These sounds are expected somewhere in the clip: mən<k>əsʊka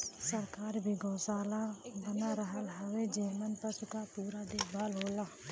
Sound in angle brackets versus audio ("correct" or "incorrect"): incorrect